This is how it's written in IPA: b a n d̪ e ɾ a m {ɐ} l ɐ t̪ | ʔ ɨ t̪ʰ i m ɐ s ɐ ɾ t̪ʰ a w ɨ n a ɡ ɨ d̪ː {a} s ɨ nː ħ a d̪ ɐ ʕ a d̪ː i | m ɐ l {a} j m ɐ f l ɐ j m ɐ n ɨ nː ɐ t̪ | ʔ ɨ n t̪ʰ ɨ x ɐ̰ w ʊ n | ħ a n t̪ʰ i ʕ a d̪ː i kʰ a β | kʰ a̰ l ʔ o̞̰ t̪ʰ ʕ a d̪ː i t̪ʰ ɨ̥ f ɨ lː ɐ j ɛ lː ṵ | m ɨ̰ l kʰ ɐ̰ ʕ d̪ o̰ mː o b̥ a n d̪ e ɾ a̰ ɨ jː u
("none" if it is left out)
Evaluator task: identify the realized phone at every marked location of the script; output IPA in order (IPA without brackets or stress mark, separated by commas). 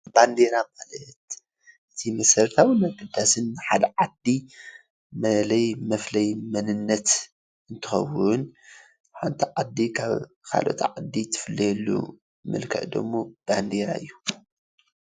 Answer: a, a, ɐ